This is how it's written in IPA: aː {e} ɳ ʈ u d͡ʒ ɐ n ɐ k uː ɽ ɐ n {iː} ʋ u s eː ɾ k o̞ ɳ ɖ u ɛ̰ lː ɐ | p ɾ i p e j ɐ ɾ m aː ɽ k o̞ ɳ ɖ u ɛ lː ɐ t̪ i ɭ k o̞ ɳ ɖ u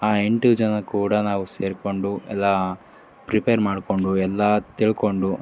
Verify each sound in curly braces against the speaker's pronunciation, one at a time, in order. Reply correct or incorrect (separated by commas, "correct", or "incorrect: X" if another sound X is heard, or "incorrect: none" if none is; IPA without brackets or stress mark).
correct, incorrect: aː